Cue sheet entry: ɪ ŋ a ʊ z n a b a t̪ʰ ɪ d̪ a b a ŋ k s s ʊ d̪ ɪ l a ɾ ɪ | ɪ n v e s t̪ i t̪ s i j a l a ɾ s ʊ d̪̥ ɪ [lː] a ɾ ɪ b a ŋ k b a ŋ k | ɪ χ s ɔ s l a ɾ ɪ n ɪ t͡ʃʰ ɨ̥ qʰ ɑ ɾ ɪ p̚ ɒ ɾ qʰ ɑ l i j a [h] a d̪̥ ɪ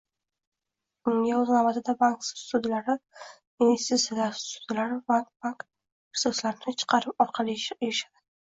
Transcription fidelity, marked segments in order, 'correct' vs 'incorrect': incorrect: l, incorrect: ʃ

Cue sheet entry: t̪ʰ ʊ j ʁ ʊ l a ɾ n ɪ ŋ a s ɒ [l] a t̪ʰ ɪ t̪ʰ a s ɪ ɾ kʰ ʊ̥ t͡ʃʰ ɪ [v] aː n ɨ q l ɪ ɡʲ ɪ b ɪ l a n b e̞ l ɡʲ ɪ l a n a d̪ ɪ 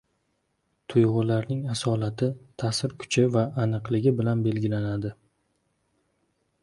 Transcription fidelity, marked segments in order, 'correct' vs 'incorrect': correct, correct

